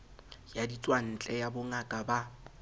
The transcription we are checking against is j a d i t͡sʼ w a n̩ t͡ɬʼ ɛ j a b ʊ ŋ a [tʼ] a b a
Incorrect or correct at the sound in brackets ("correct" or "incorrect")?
incorrect